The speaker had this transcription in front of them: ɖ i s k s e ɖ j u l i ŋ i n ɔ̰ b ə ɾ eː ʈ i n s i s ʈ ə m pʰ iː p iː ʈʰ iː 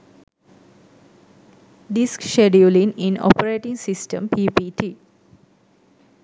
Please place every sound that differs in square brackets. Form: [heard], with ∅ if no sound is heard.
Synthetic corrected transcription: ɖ i s k [ʃ] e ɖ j u l i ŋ i n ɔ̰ [p] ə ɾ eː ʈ i [ŋ] s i s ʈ ə m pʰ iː p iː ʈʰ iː